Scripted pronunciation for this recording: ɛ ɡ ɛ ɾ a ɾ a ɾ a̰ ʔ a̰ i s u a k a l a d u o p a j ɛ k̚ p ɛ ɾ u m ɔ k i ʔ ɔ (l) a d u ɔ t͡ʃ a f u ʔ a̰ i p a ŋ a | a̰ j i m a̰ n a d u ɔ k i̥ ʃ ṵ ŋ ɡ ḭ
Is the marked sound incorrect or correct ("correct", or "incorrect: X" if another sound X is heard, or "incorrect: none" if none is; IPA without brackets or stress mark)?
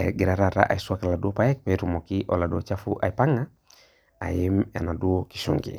correct